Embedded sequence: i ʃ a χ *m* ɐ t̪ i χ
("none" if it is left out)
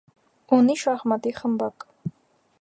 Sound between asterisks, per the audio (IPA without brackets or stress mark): m